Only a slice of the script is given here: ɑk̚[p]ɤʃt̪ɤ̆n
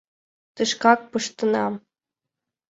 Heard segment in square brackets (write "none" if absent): p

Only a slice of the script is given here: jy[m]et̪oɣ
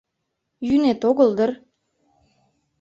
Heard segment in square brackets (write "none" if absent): n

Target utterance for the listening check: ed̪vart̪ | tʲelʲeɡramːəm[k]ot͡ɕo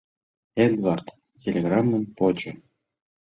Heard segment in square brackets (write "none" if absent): p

